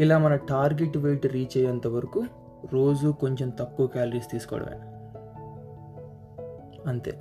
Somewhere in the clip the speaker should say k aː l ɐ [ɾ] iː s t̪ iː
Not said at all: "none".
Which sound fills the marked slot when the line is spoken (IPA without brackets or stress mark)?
ɾ